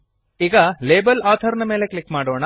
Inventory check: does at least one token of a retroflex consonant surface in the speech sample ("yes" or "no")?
yes